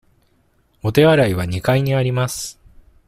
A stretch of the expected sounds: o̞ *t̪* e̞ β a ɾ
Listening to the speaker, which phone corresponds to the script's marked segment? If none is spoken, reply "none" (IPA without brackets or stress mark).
t̪